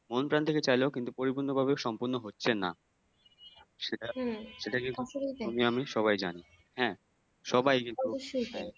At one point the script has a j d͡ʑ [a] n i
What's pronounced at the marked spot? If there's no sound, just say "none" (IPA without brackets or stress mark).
a